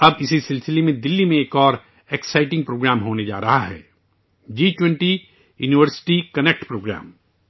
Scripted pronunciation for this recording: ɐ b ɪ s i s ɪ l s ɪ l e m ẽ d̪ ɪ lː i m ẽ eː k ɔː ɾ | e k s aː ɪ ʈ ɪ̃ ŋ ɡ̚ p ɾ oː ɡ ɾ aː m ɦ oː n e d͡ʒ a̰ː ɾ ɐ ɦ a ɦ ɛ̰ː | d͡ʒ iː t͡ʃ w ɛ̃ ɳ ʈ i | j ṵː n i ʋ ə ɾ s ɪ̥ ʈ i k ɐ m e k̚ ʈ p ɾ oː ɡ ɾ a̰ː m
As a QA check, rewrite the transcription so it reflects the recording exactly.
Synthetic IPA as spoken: ɐ b ɪ s i s ɪ l s ɪ l e m ẽ d̪ ɪ lː i m ẽ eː k ɔː ɾ | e k s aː ɪ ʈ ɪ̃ ŋ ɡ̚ p ɾ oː ɡ ɾ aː m ɦ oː n e d͡ʒ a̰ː ɾ ɐ ɦ a ɦ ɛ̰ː | d͡ʒ iː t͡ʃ w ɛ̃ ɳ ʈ i | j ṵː n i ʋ ə ɾ s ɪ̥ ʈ i k ɐ n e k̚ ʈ p ɾ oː ɡ ɾ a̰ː m